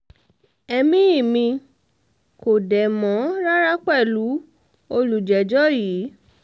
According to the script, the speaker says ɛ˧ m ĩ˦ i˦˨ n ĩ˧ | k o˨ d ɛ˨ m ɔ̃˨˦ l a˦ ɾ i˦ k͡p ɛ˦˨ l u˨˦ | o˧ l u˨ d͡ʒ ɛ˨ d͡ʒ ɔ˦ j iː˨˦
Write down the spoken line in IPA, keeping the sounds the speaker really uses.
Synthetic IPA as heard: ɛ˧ m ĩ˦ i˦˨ m ĩ˧ | k o˨ d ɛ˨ m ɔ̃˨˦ ɾ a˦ ɾ a˦ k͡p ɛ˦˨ l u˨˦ | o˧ l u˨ d͡ʒ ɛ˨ d͡ʒ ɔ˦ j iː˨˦